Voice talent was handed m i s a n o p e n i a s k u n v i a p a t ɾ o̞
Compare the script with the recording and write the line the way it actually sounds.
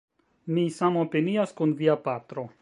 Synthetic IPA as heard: m i s a m o p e n i a s k u n v i a p a t ɾ o̞